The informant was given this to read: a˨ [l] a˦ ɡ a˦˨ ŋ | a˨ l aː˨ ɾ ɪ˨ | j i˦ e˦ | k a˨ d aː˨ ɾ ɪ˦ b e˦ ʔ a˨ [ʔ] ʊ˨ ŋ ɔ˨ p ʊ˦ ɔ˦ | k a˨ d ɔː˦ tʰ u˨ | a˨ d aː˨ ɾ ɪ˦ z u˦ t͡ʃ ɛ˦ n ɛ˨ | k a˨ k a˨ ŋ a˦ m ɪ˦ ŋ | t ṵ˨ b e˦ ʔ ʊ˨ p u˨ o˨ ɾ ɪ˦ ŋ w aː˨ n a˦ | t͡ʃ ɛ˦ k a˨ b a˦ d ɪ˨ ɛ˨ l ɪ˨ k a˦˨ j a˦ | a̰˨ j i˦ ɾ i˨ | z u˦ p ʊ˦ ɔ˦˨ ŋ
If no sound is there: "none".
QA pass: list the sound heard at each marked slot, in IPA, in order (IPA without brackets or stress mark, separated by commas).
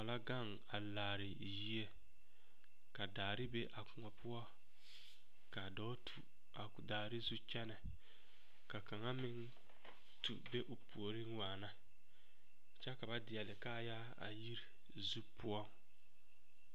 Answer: l, k